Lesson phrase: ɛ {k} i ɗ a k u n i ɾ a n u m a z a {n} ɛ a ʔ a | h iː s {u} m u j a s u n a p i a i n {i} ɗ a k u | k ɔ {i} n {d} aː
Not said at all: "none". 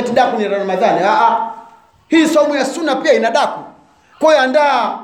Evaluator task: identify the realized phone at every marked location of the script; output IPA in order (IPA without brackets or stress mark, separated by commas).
t, n, ɔ, a, a, d